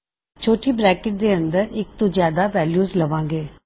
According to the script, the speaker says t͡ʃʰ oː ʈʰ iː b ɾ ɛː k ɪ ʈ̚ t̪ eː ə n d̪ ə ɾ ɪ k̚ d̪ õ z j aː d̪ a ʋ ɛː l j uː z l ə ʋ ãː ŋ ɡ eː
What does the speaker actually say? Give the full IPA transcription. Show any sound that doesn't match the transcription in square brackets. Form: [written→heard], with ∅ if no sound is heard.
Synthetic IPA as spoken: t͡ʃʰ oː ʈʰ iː b ɾ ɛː k ɪ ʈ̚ [t̪→d̪] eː ə n d̪ ə ɾ ɪ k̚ [d̪→t̪] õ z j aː d̪ a ʋ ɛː l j uː z l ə ʋ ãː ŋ ɡ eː